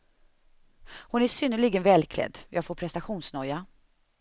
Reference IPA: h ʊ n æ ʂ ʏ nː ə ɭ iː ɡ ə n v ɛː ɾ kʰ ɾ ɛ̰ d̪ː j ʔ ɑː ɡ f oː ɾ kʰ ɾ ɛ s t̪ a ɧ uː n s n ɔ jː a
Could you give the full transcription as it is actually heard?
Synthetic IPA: h ʊ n æ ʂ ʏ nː ə ɭ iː ɡ ə n v ɛː l kʰ l ɛ̰ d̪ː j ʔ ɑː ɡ f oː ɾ pʰ ɾ ɛ s t̪ a ɧ uː n s n ɔ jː a